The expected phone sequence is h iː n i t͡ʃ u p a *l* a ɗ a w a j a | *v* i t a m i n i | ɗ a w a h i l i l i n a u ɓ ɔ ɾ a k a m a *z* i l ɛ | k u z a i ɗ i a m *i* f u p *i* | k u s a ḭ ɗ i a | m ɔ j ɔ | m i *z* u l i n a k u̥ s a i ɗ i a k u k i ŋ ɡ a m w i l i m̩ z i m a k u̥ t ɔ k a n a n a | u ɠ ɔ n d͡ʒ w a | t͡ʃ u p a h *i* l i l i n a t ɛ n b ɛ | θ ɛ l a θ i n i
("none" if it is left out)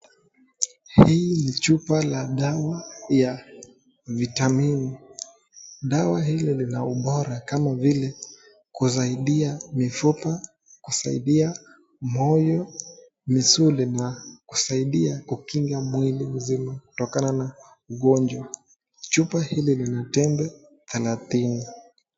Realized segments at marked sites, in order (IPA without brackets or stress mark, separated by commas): l, v, v, i, a, s, i